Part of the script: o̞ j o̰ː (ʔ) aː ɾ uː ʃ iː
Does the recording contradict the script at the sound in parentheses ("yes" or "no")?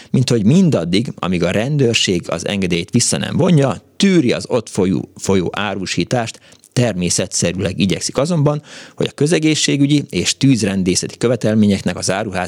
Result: no